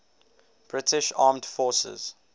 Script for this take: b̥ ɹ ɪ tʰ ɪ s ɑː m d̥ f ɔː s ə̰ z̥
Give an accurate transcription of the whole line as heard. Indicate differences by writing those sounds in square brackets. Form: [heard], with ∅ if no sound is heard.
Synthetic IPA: b̥ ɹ ɪ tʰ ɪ [ʃ] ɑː m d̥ f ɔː s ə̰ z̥